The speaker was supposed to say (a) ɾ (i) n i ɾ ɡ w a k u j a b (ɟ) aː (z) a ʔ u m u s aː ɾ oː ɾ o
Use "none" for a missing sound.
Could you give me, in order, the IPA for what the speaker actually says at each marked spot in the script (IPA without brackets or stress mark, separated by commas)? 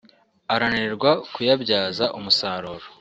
a, a, ɟ, z